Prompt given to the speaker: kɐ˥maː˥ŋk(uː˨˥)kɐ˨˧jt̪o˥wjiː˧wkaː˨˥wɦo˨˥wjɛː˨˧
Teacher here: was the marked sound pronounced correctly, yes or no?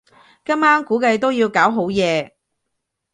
yes